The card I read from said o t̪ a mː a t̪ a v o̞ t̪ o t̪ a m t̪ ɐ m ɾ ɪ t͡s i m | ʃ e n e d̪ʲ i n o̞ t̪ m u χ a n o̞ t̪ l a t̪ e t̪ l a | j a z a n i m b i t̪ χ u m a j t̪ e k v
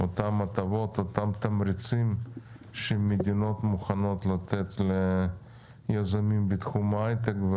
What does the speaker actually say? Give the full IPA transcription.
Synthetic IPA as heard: o t̪ a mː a t̪ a v o̞ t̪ o t̪ a m t̪ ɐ m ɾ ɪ t͡s i m | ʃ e m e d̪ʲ i n o̞ t̪ m u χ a n o̞ t̪ l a t̪ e t̪ l e | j a z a m i m b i t̪ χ u m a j t̪ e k v